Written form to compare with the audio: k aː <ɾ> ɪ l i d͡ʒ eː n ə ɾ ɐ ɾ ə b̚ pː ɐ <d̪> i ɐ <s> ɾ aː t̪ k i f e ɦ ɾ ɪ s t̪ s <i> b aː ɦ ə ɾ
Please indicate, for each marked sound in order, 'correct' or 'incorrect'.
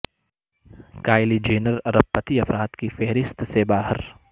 incorrect: none, incorrect: t̪, incorrect: f, incorrect: e

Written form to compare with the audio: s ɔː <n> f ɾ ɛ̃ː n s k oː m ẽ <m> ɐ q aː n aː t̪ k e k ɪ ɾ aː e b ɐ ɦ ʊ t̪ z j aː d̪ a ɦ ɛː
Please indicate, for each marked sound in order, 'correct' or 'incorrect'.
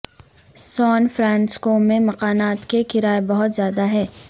correct, correct

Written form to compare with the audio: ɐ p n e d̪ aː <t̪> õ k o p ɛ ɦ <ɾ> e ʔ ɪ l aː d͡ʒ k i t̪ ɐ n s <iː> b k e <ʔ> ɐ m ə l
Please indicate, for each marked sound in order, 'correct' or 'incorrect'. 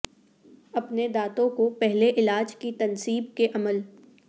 correct, incorrect: l, correct, correct

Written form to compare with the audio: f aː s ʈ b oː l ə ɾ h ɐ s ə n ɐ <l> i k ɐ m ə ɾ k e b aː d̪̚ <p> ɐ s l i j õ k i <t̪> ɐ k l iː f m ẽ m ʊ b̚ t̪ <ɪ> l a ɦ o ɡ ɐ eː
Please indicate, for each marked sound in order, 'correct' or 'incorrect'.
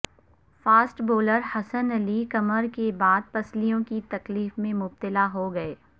correct, correct, correct, correct

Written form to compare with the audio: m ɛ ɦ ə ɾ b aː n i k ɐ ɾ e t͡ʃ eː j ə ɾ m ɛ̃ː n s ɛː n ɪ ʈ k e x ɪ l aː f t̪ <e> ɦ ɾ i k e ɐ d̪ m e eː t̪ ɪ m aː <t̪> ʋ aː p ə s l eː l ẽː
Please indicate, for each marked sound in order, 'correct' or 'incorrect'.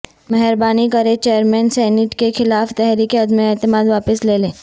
incorrect: ɛ, incorrect: d̪

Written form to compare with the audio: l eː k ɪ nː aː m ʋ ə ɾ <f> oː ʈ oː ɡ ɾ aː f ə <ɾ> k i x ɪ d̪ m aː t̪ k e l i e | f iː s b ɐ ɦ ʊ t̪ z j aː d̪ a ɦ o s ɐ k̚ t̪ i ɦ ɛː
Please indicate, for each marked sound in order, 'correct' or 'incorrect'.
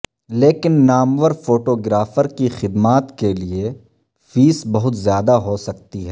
correct, correct

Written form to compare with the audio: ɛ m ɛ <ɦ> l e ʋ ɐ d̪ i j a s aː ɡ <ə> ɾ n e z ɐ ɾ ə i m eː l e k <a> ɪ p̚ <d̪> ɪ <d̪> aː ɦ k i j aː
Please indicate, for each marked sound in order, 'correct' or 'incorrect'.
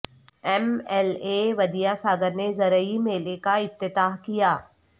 incorrect: none, correct, correct, incorrect: t̪, incorrect: t̪

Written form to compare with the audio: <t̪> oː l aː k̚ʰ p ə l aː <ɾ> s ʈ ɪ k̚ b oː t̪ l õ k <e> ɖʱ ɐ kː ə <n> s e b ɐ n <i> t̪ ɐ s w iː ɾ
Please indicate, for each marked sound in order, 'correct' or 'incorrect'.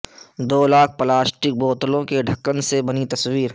incorrect: d̪, incorrect: none, correct, correct, correct

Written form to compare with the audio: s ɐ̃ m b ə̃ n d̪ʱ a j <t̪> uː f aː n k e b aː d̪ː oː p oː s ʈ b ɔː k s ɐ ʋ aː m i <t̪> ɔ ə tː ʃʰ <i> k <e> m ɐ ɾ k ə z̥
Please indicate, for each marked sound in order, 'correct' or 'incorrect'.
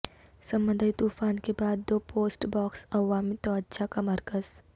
correct, correct, incorrect: a, incorrect: a

